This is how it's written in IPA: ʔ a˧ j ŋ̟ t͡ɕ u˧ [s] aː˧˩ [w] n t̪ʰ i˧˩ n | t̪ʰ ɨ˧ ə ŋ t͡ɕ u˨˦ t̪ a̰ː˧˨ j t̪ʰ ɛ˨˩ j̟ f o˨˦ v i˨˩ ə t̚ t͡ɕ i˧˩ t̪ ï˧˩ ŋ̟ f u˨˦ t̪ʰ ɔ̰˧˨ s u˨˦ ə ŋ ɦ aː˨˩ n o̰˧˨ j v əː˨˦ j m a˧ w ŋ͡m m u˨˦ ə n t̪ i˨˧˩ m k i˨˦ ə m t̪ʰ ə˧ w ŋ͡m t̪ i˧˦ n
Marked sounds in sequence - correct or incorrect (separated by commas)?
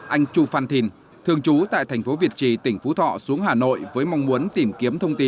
incorrect, incorrect